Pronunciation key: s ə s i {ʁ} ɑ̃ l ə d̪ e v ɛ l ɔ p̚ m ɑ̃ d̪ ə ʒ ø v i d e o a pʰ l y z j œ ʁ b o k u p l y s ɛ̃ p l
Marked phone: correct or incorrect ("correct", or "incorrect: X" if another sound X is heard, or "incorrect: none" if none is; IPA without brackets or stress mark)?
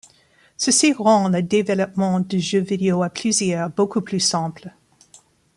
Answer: correct